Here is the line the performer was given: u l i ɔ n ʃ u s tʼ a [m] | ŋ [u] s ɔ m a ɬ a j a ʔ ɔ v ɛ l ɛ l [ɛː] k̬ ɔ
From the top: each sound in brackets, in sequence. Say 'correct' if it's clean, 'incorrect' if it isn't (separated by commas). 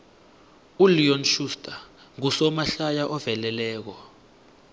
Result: incorrect, correct, correct